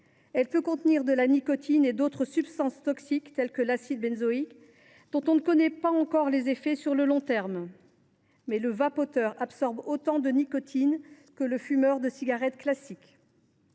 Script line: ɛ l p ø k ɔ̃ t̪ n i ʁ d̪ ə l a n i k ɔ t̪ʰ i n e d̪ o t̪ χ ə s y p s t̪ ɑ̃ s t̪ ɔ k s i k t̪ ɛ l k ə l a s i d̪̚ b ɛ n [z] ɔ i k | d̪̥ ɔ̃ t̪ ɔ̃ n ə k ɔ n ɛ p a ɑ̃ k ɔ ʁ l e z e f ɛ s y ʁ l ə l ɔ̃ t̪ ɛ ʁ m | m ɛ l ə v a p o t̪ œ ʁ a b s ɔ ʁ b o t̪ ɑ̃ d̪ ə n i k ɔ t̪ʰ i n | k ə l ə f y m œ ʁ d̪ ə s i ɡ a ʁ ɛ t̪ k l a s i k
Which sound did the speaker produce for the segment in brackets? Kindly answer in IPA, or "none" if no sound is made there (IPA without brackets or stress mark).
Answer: z